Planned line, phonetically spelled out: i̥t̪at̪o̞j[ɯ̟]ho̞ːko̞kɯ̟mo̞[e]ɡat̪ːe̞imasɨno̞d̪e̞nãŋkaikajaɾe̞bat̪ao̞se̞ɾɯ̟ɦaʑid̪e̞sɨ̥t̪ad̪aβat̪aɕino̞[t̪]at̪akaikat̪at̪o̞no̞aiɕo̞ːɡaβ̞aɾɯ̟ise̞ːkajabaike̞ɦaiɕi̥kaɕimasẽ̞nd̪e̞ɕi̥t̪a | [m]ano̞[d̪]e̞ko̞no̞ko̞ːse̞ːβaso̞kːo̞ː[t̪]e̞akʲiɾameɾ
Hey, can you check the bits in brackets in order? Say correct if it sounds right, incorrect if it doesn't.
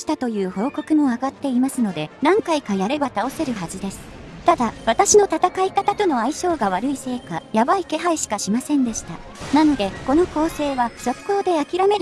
incorrect: ɯ̟ː, incorrect: a, correct, incorrect: n, correct, incorrect: d̪

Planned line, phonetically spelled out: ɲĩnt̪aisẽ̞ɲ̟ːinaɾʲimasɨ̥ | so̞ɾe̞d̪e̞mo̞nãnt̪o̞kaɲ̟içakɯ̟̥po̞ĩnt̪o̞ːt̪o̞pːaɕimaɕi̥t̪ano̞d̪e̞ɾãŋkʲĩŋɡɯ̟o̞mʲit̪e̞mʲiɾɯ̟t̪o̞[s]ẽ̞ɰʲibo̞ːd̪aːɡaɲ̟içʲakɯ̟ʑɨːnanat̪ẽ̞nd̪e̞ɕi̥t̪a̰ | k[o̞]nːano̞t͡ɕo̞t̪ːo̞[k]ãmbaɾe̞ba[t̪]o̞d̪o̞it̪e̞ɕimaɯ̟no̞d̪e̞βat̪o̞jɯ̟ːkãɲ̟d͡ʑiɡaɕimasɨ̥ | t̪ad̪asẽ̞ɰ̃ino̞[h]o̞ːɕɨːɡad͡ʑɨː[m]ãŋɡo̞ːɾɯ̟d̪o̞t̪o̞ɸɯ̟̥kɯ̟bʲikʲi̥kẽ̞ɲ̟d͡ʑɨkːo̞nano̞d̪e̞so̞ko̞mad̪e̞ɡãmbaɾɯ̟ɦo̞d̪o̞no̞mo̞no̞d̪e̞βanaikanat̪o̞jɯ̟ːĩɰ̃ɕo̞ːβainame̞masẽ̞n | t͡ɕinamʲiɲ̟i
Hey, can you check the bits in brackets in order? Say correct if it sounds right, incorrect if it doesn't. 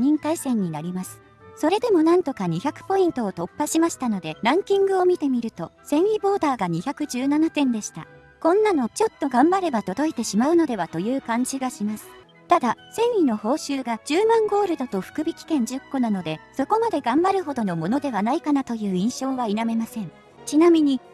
correct, incorrect: õ̞, incorrect: ɡ, correct, correct, correct

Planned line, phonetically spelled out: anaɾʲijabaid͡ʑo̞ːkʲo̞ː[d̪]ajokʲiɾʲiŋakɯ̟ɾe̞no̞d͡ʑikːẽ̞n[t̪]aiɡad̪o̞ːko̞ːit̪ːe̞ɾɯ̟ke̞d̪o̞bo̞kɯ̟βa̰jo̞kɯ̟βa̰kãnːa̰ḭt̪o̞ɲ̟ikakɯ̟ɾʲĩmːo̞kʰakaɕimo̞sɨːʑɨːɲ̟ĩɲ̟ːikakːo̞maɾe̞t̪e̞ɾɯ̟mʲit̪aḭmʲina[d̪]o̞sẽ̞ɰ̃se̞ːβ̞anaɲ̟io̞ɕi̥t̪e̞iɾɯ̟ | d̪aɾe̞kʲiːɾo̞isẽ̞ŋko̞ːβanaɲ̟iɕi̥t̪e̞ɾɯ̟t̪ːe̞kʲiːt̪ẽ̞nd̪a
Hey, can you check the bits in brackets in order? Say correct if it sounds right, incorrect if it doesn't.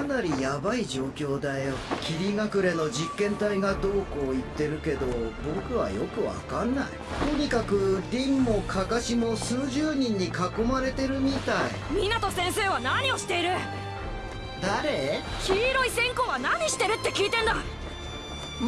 correct, correct, incorrect: t̪

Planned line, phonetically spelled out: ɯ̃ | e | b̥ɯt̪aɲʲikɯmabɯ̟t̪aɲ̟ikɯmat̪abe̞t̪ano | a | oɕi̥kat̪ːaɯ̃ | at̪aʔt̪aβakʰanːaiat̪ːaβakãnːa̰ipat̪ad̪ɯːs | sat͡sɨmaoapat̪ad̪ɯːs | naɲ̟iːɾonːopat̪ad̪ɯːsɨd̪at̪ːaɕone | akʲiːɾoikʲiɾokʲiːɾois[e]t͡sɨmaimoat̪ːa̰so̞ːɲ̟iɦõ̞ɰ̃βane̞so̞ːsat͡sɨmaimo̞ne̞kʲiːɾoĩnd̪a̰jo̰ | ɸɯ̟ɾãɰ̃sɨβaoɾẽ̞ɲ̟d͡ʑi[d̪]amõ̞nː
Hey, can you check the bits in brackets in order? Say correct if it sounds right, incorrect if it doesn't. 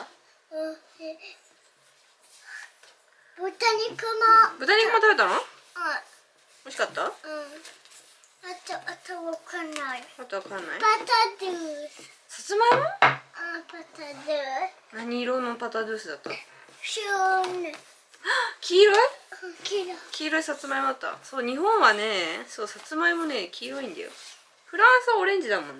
incorrect: a, correct

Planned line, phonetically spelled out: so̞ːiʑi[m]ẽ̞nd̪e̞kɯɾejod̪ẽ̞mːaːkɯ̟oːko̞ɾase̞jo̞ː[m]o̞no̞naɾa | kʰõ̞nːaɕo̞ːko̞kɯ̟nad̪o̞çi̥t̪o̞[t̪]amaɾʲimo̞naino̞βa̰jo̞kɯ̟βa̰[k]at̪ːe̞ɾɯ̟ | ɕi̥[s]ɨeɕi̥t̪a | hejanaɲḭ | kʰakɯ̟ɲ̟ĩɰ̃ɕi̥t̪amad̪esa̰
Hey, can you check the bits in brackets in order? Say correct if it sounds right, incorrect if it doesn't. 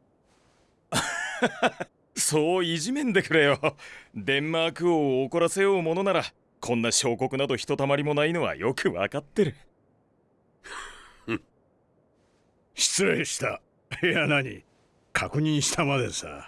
correct, correct, correct, correct, incorrect: t͡s

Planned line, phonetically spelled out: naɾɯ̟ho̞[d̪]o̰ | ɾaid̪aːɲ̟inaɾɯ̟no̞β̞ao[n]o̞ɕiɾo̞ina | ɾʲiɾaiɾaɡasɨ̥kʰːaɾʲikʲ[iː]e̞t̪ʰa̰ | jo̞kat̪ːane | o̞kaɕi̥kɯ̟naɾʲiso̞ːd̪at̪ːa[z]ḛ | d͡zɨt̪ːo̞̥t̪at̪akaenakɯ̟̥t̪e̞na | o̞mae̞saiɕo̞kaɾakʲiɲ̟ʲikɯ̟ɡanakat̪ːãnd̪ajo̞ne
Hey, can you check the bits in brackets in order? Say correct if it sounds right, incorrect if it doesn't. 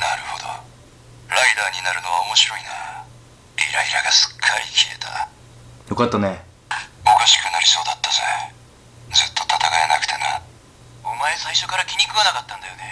correct, incorrect: m, incorrect: i, correct

